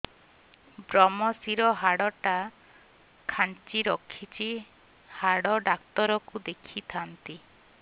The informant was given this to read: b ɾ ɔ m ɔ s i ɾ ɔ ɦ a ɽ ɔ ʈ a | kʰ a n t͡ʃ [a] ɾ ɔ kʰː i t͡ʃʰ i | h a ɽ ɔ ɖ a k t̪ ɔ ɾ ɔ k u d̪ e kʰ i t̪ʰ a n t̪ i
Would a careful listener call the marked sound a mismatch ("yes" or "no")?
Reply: yes